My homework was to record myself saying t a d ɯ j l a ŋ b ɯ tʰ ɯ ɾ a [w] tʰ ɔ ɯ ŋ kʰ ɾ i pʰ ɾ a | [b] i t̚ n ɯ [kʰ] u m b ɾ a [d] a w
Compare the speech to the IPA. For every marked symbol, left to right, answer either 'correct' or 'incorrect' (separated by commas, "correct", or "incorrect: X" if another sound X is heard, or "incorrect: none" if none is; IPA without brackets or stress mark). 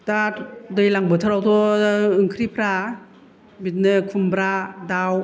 correct, correct, correct, correct